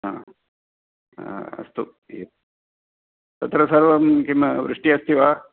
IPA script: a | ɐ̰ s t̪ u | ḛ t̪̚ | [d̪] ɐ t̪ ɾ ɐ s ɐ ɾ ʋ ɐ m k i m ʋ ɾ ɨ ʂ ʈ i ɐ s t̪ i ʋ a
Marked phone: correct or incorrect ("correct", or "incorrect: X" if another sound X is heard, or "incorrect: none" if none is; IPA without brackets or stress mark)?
incorrect: t̪